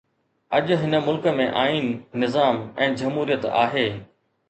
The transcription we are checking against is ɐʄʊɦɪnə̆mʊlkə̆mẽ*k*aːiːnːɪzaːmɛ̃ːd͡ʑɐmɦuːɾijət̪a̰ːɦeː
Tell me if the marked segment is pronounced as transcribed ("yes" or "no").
no